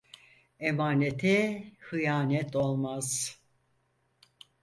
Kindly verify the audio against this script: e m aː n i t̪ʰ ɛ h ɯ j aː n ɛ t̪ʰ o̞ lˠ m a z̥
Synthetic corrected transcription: e m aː n e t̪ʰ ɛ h ɯ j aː n ɛ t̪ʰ o̞ lˠ m a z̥